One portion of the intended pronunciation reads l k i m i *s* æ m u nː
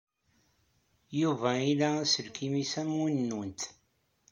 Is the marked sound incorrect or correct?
correct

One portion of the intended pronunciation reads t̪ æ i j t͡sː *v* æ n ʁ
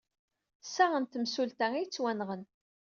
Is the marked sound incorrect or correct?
incorrect: w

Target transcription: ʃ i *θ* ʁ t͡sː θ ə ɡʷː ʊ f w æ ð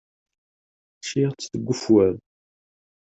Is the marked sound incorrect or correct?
incorrect: none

